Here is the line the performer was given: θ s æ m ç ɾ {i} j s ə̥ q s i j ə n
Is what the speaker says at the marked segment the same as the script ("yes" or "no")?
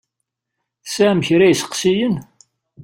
no